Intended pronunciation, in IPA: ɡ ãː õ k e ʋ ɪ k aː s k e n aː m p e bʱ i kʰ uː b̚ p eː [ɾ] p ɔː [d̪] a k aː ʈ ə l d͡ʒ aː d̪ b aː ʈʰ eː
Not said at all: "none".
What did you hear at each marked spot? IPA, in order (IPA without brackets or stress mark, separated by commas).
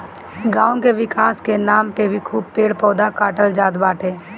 ɽ, d̪